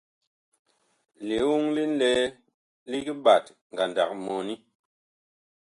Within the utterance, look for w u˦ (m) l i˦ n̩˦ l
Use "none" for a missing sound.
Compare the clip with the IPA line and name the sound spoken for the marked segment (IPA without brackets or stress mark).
ŋ